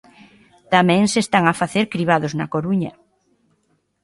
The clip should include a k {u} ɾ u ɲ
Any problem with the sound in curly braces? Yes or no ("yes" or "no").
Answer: yes